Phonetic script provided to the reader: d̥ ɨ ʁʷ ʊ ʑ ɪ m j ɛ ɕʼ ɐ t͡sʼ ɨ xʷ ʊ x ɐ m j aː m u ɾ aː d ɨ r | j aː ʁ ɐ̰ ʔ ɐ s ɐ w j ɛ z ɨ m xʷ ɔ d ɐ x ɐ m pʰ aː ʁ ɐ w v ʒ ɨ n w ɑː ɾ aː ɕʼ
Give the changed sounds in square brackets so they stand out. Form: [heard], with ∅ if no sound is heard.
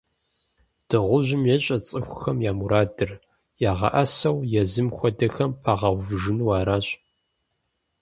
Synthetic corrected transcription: d̥ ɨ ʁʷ ʊ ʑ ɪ m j ɛ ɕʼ ɐ t͡sʼ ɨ xʷ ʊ x ɐ m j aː m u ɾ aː d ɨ r | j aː ʁ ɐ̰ ʔ ɐ s ɐ w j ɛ z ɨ m xʷ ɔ d ɐ x ɐ m pʰ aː ʁ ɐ w v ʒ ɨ n w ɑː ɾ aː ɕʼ